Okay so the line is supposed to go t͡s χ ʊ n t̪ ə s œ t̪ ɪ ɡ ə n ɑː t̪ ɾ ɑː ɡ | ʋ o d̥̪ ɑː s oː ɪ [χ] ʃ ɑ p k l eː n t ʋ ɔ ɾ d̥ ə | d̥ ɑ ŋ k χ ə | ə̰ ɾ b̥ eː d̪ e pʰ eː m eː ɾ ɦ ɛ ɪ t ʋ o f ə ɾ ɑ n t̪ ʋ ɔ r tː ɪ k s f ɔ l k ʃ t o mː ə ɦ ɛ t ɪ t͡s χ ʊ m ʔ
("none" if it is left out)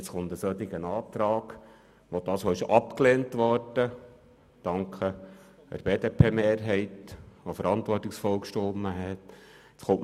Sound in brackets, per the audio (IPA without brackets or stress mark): none